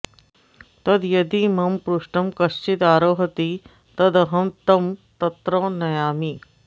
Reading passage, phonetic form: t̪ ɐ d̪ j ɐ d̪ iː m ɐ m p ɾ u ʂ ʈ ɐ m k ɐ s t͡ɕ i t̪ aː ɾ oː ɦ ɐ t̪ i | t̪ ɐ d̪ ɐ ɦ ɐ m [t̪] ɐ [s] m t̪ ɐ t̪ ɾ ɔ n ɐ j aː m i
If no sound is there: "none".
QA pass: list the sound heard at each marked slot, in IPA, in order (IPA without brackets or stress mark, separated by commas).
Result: t̪, none